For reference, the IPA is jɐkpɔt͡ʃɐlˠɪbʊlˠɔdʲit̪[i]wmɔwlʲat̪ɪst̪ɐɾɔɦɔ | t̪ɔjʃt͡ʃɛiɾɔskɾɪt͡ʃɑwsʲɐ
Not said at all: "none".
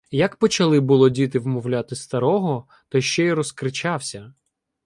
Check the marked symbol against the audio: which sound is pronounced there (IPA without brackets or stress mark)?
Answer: ɪ